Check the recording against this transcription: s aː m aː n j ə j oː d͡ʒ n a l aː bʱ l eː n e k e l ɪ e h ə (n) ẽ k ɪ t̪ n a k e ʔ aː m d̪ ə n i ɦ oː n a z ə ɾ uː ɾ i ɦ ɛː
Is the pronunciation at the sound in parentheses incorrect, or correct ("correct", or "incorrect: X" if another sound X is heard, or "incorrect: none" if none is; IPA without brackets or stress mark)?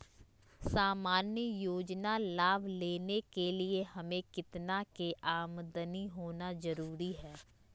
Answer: incorrect: m